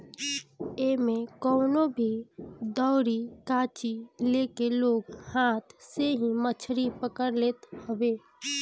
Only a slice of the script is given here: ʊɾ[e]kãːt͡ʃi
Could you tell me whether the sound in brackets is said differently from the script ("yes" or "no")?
yes